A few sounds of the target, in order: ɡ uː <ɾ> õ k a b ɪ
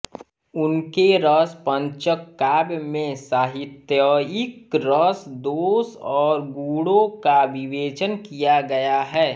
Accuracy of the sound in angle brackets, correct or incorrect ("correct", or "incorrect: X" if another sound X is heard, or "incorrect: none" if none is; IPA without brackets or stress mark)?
incorrect: ɽ